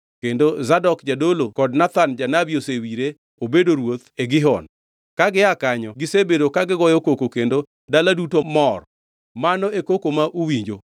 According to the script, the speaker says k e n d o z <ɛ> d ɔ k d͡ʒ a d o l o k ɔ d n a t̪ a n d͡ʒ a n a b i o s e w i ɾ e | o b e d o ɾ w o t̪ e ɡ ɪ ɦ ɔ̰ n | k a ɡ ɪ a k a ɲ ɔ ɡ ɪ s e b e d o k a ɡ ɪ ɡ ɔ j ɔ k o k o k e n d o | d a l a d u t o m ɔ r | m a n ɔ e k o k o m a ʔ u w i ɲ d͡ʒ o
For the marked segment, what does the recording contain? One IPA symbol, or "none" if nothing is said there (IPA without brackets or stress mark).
a